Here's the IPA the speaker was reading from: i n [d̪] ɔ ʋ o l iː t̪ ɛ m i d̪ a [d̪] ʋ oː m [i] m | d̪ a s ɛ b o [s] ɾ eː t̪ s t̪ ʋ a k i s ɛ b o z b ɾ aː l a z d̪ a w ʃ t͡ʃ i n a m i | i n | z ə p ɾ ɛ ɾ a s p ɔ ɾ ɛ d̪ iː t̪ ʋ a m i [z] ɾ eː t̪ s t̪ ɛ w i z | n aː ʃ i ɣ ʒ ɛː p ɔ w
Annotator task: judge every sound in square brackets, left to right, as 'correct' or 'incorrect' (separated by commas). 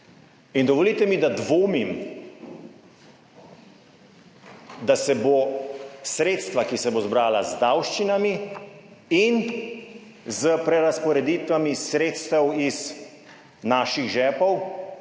correct, correct, correct, correct, incorrect